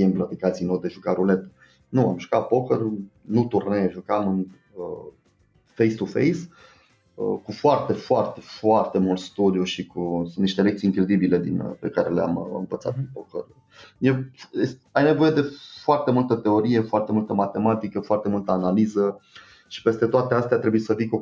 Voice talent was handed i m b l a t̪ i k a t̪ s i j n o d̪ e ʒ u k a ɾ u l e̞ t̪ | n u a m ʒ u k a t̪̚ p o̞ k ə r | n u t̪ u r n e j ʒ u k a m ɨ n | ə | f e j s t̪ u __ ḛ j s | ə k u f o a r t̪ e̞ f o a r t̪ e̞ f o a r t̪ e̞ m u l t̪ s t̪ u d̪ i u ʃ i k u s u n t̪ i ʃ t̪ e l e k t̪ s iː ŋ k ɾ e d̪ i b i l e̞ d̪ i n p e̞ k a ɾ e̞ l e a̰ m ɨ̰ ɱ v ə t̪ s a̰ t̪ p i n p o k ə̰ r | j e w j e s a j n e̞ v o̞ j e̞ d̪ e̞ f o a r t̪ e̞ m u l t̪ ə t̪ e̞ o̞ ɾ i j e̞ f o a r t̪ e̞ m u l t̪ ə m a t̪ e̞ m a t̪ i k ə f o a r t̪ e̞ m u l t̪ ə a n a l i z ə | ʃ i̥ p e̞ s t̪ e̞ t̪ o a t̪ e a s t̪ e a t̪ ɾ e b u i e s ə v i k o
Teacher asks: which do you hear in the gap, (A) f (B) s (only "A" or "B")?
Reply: A